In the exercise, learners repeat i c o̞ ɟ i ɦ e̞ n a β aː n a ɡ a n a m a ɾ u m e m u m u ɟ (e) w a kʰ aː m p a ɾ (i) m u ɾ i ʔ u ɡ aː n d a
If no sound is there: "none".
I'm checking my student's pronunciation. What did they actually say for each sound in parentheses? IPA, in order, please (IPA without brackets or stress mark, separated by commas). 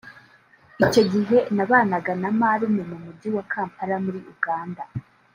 i, a